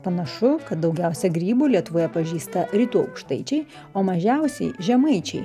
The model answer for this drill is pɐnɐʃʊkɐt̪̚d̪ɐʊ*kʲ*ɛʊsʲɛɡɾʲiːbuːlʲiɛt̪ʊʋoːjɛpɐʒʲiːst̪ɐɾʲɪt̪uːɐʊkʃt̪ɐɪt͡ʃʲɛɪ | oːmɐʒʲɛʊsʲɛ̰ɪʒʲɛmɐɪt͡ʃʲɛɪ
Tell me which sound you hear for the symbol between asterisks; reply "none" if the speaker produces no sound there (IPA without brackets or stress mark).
ɡʲ